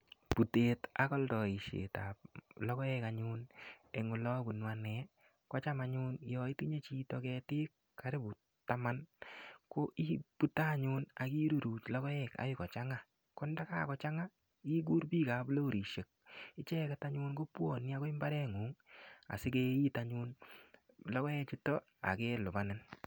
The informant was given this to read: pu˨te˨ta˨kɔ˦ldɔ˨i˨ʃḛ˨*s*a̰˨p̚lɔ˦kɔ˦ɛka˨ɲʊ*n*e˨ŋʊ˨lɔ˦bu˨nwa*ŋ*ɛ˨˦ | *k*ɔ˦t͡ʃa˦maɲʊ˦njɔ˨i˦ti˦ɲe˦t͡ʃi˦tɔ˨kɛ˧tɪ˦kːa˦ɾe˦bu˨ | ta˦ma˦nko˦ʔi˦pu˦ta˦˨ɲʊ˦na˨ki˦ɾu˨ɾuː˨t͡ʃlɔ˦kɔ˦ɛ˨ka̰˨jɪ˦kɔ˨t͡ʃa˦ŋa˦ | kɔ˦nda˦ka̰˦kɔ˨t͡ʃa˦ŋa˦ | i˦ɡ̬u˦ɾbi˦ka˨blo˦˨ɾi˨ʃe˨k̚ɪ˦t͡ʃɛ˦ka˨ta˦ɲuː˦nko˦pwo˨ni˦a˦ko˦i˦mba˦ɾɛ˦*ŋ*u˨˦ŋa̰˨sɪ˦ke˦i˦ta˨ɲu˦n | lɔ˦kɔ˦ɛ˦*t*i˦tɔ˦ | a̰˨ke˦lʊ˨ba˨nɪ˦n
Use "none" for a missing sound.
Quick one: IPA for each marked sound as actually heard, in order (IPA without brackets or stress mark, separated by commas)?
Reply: t, n, n, k, ŋ, t͡ʃ